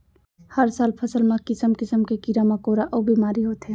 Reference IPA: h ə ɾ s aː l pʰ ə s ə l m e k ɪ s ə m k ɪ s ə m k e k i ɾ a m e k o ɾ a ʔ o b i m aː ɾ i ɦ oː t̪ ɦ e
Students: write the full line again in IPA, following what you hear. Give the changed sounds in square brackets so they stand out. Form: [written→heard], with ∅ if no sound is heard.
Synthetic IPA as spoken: h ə ɾ s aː l pʰ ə s ə l m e k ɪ s ə m k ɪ s ə m k e k i ɾ a m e k o ɾ a ʔ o b i m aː ɾ i ɦ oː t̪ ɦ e